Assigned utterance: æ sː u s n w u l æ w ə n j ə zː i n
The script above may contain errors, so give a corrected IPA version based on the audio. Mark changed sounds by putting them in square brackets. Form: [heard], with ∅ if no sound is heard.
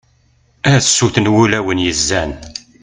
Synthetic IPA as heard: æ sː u [θ] n w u l æ w ə n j ə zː [æ] n